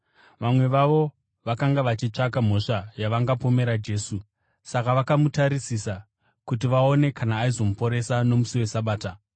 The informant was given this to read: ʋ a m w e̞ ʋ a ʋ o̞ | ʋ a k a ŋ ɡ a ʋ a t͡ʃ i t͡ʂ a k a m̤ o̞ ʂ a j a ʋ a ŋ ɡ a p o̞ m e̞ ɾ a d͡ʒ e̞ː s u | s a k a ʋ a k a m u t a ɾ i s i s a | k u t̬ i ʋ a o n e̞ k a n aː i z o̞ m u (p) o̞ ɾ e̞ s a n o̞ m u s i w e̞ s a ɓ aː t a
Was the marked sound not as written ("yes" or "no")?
no